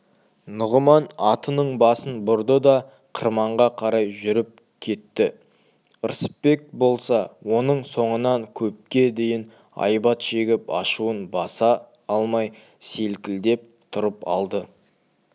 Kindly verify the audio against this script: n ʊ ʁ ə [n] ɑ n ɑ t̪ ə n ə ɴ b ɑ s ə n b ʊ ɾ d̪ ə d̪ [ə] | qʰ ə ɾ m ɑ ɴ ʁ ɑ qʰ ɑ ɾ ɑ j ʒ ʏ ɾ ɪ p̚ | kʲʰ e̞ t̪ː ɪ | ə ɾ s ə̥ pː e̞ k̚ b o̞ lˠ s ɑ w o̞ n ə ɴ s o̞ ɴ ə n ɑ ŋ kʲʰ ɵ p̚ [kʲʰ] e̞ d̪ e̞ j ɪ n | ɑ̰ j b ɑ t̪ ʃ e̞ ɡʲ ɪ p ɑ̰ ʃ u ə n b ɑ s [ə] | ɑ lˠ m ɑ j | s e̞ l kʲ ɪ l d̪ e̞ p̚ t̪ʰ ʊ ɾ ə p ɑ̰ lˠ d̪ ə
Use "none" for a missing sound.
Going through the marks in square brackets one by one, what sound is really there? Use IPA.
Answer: m, ɑ, kʲ, ɑ

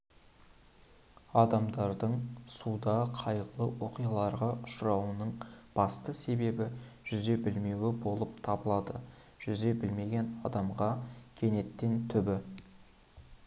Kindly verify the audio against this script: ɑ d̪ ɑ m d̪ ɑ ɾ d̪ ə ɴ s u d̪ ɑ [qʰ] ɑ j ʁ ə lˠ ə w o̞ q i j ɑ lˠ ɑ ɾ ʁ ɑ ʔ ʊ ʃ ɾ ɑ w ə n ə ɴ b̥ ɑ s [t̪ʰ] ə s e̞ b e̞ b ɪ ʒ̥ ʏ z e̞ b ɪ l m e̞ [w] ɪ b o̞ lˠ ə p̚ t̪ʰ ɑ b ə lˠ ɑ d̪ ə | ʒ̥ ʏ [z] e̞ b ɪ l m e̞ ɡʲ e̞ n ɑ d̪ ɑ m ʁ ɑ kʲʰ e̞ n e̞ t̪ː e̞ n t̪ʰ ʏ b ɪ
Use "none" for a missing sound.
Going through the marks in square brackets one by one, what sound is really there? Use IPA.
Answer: qʰ, t̪, w, z

